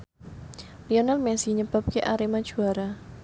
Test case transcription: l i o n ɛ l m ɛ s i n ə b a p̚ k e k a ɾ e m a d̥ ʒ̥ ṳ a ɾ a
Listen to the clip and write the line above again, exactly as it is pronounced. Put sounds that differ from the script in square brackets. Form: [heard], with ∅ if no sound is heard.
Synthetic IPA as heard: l i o n [a] l m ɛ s i [ɲ] ə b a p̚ k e [ʔ] a ɾ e m a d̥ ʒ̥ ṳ a ɾ a